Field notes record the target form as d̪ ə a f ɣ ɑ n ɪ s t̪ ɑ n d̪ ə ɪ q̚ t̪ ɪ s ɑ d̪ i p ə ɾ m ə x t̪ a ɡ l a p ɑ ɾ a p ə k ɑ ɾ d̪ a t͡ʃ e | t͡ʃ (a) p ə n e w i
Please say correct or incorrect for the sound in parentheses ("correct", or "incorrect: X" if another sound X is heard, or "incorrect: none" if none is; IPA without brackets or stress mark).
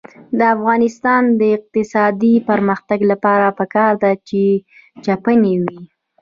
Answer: correct